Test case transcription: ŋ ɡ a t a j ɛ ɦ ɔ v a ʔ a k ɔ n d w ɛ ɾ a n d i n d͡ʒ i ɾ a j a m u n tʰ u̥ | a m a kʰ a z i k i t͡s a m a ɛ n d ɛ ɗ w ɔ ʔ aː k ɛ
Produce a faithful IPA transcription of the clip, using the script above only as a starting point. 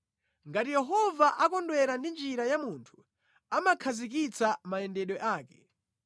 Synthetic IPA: ŋ ɡ a t i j ɛ ɦ ɔ v a ʔ a k ɔ n d w ɛ ɾ a n d i n d͡ʒ i ɾ a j a m u n tʰ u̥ | a m a kʰ a z i k i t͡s a m a ɛ n d ɛ ɗ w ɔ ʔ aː k ɛ